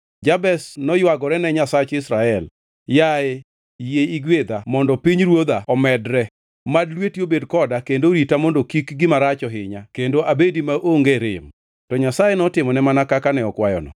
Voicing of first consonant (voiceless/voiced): voiced